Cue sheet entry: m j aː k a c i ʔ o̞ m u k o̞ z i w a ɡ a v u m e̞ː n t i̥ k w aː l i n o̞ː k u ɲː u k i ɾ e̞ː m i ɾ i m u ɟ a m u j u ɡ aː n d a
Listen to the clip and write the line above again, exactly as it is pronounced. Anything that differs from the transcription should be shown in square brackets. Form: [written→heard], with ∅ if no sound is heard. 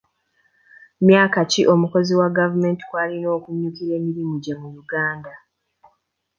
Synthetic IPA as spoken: m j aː k a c i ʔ o̞ m u k o̞ z i w a ɡ a v u m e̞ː n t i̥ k w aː l i n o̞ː k u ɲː u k i ɾ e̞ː m i ɾ i m u ɟ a m u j u ɡ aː n d a